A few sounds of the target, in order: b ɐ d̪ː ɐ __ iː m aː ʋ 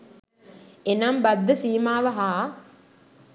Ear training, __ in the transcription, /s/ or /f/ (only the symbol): s